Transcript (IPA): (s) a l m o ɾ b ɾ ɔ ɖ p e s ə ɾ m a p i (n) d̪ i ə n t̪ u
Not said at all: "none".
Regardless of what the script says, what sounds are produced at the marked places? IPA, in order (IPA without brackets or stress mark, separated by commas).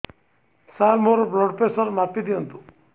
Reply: s, none